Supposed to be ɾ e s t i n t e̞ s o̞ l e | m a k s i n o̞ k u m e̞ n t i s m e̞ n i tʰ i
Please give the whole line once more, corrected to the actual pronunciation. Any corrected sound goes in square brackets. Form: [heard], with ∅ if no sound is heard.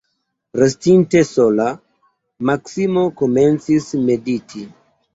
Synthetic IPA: ɾ e s t i n t e̞ s o̞ l [a] | m a k s i [m] o̞ k [o] m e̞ n [t͡s] i s m e̞ [d] i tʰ i